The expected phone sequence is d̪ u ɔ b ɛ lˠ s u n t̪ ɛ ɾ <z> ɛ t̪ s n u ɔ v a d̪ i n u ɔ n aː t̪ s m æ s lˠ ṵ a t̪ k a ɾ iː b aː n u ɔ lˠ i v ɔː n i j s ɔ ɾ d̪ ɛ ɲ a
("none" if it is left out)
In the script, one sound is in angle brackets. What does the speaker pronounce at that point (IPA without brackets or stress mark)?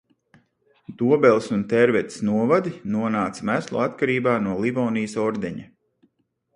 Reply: v